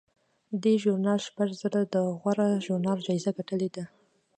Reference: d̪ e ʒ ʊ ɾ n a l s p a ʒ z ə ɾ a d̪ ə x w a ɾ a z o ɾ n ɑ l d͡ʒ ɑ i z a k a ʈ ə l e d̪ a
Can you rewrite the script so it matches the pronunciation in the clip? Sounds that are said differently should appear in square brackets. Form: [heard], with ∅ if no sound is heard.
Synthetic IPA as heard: d̪ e ʒ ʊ ɾ n [ɑ] l [ʃ] p a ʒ z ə ɾ a d̪ ə [ɣ] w a ɾ a [ʒ] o ɾ n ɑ l d͡ʒ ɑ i z a [ɡ] a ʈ ə l e d̪ a